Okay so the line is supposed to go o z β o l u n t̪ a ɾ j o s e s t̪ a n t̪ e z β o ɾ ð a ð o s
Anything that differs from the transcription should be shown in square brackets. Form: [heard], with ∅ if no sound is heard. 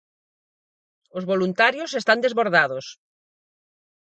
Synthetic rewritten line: o z β o l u n t̪ a ɾ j o s e s t̪ a n [d̪] e z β o ɾ ð a ð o s